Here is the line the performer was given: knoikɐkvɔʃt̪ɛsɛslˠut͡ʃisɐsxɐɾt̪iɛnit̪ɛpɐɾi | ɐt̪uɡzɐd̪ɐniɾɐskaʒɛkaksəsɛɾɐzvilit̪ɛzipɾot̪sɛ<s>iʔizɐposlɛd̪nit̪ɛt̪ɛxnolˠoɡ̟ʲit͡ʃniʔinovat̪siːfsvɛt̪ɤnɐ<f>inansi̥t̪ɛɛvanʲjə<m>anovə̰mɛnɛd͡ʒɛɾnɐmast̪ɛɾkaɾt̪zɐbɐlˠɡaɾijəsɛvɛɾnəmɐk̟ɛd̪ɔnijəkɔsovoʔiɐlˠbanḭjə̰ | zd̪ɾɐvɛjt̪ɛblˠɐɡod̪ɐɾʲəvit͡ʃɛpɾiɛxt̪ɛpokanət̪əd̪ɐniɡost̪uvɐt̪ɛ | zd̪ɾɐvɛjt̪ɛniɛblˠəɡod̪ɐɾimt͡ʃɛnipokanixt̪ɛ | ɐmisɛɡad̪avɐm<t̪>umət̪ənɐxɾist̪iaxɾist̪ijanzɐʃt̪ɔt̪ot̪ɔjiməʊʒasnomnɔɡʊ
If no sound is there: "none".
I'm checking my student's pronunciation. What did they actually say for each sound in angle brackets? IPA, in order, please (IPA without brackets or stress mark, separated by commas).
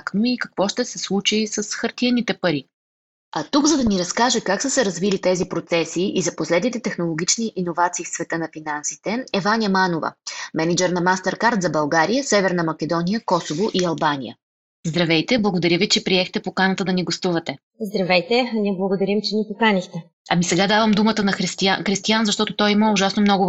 s, f, m, d̪